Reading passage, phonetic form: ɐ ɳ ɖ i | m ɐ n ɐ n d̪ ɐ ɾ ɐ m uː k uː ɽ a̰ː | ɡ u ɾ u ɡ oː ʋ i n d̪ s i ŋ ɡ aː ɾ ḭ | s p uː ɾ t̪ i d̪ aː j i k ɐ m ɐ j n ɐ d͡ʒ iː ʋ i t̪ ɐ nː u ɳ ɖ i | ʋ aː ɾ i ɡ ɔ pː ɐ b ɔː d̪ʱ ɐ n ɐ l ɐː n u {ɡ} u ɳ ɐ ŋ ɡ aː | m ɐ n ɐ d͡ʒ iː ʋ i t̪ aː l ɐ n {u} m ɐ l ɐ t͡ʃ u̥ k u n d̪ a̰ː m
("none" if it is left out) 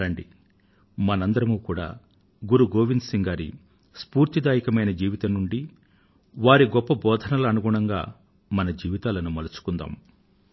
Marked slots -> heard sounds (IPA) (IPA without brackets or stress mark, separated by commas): ɡ, u